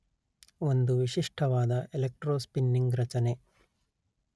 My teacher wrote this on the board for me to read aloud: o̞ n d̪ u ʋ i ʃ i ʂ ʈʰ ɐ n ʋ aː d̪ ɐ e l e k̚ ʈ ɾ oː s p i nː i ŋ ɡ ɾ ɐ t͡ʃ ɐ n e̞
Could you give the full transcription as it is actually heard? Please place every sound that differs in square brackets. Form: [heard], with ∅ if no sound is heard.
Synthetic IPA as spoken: o̞ n d̪ u ʋ i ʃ i ʂ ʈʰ ɐ [∅] ʋ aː d̪ ɐ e l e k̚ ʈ ɾ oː s p i nː i ŋ ɡ ɾ ɐ t͡ʃ ɐ n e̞